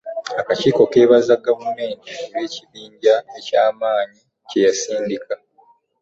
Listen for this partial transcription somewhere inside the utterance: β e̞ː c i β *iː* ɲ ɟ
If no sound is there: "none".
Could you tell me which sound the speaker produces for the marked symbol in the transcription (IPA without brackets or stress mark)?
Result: iː